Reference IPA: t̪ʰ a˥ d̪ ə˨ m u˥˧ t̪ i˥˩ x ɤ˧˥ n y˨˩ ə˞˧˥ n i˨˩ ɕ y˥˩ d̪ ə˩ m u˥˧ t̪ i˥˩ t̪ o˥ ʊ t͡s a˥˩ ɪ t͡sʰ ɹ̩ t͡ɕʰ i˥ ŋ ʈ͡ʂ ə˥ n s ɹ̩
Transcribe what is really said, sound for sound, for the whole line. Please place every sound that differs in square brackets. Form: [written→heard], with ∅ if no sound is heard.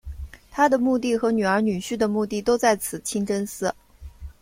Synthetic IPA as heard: t̪ʰ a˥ d̪ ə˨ m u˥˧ t̪ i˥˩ x ɤ˧˥ n y˨˩ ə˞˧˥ n [i˨˩→y˨˩] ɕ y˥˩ d̪ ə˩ m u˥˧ t̪ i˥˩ t̪ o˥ ʊ t͡s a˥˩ ɪ t͡sʰ ɹ̩ t͡ɕʰ i˥ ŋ ʈ͡ʂ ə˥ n s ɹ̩